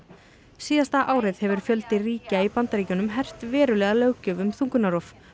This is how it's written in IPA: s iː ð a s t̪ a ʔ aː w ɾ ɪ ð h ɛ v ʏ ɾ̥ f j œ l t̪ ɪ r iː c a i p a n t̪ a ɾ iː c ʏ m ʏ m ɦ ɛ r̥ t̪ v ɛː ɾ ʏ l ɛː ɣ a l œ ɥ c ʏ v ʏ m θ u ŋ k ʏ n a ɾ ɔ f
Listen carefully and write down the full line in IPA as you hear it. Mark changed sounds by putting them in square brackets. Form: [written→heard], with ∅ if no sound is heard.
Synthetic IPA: s iː ð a s t̪ a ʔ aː w ɾ ɪ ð h ɛ v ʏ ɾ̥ f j œ l t̪ ɪ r iː c a i p a n t̪ a ɾ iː c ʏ [m→n] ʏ m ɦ ɛ r̥ t̪ v ɛː ɾ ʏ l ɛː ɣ a l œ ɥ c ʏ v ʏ m θ u ŋ k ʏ n a ɾ ɔ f